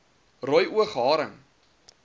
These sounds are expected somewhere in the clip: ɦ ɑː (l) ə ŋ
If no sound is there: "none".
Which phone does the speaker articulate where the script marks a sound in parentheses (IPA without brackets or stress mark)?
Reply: ɾ